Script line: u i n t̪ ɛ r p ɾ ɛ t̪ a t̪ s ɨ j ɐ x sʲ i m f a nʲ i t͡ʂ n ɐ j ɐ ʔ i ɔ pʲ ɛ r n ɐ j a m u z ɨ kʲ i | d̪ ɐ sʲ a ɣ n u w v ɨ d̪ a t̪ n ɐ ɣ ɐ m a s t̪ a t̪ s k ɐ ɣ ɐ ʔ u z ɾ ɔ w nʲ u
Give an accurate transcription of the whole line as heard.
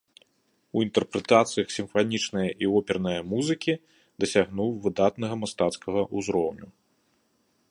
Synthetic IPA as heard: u i n t̪ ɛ r p ɾ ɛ t̪ a t̪ s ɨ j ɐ x sʲ i m f a nʲ i t͡ʂ n ɐ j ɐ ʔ i ɔ pʲ ɛ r n ɐ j ɐ m u z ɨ kʲ i | d̪ ɐ sʲ a ɣ n u w v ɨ d̪ a t̪ n ɐ ɣ ɐ m a s t̪ a t̪ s k ɐ ɣ ɐ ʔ u z ɾ ɔ w nʲ u